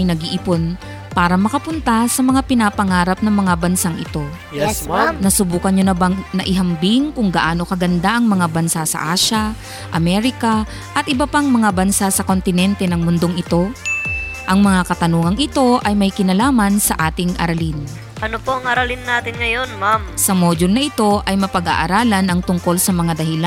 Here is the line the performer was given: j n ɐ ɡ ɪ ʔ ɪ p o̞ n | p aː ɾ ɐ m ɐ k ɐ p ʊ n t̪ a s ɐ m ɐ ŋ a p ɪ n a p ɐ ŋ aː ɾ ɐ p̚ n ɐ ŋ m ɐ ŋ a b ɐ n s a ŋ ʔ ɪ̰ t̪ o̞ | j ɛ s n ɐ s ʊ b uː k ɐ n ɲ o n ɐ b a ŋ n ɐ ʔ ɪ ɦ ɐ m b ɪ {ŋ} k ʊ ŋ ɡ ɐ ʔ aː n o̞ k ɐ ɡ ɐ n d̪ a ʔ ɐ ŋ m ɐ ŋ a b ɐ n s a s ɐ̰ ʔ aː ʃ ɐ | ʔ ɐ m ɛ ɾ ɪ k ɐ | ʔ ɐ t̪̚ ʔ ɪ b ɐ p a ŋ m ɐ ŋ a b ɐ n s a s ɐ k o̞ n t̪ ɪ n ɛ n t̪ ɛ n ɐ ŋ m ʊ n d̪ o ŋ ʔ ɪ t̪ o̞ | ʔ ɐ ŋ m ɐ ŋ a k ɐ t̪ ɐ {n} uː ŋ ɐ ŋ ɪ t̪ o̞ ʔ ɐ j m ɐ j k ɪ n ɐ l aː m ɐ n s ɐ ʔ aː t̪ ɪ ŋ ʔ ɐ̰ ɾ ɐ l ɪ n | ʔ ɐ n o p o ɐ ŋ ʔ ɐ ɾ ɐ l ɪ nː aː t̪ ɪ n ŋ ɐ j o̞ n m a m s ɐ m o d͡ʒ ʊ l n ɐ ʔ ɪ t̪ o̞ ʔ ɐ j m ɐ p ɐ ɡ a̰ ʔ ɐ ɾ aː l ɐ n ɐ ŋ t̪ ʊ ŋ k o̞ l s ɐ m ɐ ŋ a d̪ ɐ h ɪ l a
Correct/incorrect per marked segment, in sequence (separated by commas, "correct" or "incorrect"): correct, correct